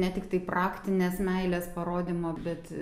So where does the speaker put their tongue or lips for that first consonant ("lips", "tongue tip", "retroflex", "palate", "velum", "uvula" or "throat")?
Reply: tongue tip